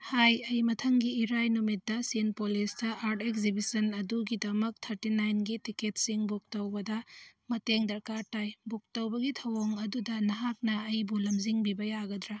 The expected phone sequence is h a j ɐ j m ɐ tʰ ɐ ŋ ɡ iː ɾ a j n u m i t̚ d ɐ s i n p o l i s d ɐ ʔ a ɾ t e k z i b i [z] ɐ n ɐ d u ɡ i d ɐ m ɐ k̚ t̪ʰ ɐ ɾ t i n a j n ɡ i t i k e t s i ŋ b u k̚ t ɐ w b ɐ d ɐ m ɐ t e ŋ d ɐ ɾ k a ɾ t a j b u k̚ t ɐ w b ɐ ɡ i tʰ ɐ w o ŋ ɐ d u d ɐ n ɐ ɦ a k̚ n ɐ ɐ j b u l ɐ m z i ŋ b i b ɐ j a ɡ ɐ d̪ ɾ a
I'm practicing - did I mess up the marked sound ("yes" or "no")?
yes